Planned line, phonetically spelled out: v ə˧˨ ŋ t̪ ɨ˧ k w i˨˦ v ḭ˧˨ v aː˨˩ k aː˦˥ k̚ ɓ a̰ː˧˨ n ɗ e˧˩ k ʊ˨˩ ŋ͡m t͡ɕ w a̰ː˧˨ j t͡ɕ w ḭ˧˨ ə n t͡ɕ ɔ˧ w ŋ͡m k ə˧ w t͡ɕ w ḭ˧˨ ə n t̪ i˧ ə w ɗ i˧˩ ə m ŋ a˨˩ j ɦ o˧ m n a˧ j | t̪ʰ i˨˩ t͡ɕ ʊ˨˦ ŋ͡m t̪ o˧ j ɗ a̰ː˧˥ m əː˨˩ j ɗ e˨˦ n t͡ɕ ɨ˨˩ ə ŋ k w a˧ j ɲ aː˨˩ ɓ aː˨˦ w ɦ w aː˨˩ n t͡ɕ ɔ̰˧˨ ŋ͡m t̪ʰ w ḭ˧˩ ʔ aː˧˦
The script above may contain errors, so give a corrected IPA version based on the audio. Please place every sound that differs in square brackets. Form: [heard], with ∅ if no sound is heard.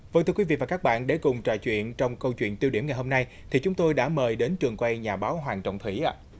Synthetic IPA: v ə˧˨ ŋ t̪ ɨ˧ k w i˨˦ v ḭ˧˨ v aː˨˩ k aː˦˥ k̚ ɓ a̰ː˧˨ n ɗ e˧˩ k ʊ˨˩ ŋ͡m t͡ɕ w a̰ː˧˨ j t͡ɕ w ḭ˧˨ ə n t͡ɕ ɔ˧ w ŋ͡m k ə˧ w t͡ɕ w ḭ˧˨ ə n t̪ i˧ ə w ɗ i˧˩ ə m ŋ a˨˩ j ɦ o˧ m n a˧ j | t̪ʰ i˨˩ t͡ɕ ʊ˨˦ ŋ͡m t̪ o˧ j ɗ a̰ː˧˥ m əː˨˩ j ɗ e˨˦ n t͡ɕ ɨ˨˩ ə ŋ k w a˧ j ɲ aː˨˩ ɓ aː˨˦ w ɦ w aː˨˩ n t͡ɕ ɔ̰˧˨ ŋ͡m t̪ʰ w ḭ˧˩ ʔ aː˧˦